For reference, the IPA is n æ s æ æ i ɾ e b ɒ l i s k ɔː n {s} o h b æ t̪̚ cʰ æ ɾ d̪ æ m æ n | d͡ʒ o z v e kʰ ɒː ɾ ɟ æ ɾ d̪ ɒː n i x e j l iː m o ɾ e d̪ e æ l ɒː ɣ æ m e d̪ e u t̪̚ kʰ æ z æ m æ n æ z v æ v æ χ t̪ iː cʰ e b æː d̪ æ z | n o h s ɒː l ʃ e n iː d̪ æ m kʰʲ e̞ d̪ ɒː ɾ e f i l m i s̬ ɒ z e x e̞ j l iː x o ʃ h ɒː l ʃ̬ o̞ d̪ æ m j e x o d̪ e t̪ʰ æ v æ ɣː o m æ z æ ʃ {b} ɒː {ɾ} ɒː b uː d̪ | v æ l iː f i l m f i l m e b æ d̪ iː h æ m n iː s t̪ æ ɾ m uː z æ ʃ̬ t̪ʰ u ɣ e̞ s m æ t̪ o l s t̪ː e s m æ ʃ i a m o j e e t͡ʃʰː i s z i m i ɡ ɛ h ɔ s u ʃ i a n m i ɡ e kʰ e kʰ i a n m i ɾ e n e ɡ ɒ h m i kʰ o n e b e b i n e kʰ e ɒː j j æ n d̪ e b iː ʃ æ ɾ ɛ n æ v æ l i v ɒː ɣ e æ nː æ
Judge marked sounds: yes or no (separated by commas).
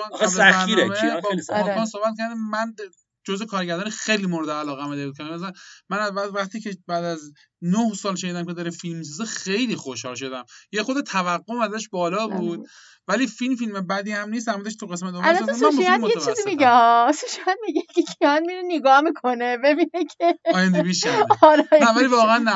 yes, yes, no